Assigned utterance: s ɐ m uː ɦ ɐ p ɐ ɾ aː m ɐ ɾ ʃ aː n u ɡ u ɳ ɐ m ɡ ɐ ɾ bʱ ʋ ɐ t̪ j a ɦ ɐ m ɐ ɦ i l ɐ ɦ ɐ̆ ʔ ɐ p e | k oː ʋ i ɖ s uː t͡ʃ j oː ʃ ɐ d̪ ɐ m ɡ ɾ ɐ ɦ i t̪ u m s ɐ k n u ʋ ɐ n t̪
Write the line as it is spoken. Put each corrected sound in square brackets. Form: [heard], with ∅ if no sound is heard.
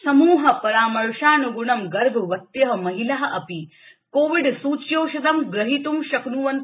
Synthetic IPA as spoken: s ɐ m uː ɦ ɐ p ɐ ɾ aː m ɐ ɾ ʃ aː n u ɡ u ɳ ɐ m ɡ ɐ ɾ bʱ ʋ ɐ t̪ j [ɐ] ɦ ɐ m ɐ ɦ i l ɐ ɦ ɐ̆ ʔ ɐ p [i] | k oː ʋ i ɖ s uː t͡ʃ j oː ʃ ɐ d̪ ɐ m ɡ ɾ ɐ ɦ i t̪ u m [ʃ] ɐ k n u ʋ ɐ n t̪